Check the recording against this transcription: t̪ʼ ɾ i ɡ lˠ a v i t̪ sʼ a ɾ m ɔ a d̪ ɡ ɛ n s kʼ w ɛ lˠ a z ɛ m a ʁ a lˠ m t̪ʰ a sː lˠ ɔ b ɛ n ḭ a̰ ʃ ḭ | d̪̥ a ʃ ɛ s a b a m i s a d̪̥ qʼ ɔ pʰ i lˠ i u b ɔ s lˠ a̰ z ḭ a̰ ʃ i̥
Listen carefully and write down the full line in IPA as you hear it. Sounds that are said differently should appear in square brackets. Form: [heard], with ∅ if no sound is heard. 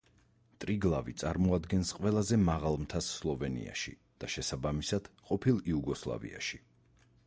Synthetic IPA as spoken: t̪ʼ ɾ i ɡ lˠ a v i t̪ sʼ a ɾ m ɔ a d̪ ɡ ɛ n s [qʼ] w ɛ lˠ a z ɛ m a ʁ a lˠ m t̪ʰ a sː lˠ ɔ [v] ɛ n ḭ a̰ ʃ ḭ | d̪̥ a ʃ ɛ s a b a m i s a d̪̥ qʼ ɔ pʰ i lˠ i u [ɡ] ɔ s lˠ a̰ [v] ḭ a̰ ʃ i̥